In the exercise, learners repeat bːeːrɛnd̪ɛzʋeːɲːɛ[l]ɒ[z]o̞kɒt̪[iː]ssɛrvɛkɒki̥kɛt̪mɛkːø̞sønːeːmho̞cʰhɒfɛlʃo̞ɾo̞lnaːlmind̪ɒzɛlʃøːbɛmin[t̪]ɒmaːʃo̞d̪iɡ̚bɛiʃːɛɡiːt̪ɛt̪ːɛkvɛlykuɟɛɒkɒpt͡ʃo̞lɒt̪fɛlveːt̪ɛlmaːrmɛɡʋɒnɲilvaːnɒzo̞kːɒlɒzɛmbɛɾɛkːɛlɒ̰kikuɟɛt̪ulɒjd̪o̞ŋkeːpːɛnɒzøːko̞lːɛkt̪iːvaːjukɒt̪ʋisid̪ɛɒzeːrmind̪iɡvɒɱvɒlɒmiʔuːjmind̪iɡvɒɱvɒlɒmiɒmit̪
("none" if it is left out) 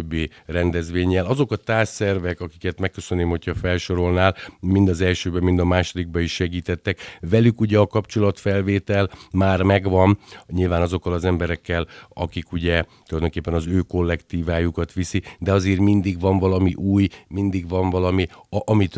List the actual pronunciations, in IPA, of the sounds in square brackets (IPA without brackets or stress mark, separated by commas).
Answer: l, z, aː, d̪